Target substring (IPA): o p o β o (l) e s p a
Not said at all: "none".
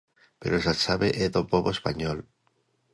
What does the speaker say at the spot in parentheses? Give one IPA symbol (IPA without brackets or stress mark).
none